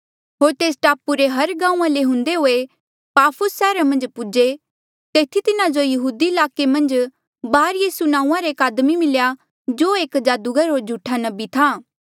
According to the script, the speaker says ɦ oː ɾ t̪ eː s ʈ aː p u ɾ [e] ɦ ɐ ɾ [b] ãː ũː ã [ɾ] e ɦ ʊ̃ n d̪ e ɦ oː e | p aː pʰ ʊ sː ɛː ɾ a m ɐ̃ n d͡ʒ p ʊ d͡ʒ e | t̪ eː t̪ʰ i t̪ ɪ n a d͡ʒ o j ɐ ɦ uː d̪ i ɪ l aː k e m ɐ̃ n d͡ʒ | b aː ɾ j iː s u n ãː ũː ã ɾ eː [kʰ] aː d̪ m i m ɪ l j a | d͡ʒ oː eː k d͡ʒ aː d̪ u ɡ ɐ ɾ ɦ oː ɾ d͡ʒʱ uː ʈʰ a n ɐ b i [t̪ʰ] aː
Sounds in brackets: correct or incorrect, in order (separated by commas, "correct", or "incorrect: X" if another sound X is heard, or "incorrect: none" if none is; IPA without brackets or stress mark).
correct, incorrect: ɡ, incorrect: l, incorrect: k, correct